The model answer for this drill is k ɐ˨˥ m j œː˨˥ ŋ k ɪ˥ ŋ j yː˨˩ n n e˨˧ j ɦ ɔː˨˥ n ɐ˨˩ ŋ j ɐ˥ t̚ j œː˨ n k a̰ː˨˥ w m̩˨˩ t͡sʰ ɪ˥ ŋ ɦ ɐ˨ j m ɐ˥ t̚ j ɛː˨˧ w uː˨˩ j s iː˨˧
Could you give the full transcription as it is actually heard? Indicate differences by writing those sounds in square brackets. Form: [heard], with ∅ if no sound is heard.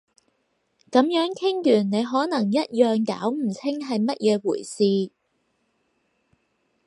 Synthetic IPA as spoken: k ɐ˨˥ m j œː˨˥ ŋ [kʰ] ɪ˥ ŋ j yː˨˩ n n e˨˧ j ɦ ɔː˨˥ n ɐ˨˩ ŋ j ɐ˥ t̚ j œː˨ [ŋ] k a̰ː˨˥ w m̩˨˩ t͡sʰ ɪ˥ ŋ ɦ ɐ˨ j m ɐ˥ t̚ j ɛː˨˧ w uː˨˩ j s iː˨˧

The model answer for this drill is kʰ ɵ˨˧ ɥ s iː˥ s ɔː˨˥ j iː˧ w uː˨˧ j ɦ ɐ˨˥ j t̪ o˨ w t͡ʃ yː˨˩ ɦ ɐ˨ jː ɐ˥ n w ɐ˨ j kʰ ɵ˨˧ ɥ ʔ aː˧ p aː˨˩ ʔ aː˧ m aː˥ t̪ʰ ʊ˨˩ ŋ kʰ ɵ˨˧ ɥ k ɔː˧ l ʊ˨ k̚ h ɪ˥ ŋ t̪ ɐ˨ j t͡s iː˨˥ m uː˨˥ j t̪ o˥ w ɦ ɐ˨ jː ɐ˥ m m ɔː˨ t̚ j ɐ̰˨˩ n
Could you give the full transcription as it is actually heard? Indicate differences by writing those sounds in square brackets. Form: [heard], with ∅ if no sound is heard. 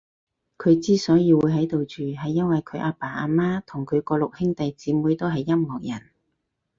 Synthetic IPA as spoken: kʰ ɵ˨˧ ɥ [t͡s] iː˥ s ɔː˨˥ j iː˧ w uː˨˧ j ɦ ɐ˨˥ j t̪ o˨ w t͡ʃ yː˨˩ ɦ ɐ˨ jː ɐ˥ n w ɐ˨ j kʰ ɵ˨˧ ɥ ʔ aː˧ p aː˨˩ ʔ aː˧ m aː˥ t̪ʰ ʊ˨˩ ŋ kʰ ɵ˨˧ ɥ k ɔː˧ l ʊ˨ k̚ h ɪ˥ ŋ t̪ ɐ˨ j t͡s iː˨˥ m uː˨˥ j t̪ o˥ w ɦ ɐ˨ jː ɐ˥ m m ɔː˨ [k̚] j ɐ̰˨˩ n

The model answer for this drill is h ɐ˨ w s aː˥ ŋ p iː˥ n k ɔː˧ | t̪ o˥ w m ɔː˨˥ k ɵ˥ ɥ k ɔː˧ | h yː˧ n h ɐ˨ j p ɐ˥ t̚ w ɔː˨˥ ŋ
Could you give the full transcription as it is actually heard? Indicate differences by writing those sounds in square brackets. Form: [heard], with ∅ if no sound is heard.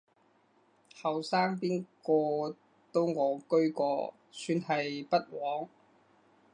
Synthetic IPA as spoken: h ɐ˨ w s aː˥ ŋ p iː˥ n k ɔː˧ | t̪ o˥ w [ŋ] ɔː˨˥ k ɵ˥ ɥ k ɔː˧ | [s] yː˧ n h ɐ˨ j p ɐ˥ t̚ w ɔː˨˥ ŋ

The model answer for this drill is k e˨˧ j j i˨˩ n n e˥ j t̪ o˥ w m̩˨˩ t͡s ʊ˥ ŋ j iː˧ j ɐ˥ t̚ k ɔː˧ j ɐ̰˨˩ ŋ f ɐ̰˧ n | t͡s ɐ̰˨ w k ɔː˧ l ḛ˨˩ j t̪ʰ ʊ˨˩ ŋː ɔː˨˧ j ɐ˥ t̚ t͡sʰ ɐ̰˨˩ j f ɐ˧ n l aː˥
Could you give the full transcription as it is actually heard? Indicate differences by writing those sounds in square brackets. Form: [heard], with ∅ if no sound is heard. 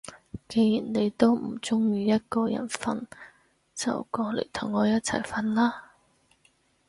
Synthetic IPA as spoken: k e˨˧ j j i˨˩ n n [e˨˧] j t̪ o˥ w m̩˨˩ t͡s ʊ˥ ŋ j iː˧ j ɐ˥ t̚ k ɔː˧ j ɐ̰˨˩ [n] f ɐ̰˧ n | t͡s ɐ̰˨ w k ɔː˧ l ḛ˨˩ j t̪ʰ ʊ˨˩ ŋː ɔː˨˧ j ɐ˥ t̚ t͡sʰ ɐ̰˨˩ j f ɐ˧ n l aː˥

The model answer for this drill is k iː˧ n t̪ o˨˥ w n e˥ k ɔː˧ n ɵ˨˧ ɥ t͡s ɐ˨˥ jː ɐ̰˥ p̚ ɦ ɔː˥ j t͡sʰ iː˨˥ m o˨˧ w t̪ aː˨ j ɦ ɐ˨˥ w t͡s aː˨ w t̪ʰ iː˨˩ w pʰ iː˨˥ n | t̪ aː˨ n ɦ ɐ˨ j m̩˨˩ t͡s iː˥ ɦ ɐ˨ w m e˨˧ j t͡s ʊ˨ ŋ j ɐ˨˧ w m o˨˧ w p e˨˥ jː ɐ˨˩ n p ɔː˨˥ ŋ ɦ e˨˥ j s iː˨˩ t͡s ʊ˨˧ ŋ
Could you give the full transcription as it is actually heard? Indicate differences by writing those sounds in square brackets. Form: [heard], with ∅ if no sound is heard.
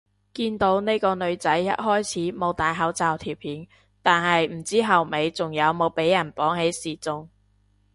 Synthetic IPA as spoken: k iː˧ n t̪ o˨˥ w n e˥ k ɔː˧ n ɵ˨˧ ɥ t͡s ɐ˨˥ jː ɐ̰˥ [t̚] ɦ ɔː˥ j t͡sʰ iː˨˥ m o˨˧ w t̪ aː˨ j ɦ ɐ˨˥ w t͡s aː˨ w t̪ʰ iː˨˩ w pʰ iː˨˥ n | t̪ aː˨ n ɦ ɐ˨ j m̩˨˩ t͡s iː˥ ɦ ɐ˨ w m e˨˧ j t͡s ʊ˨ ŋ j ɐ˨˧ w m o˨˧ w p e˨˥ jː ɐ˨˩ n p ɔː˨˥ ŋ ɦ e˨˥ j s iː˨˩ t͡s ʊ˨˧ ŋ

